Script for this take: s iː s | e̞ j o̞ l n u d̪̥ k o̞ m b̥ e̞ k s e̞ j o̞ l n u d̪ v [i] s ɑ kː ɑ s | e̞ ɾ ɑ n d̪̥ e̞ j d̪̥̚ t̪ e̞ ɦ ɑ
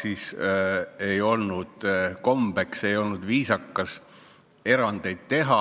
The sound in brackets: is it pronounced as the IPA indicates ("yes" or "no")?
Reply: no